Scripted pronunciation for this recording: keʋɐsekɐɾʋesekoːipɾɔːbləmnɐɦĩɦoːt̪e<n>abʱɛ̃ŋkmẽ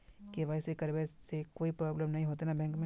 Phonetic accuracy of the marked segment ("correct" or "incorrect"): correct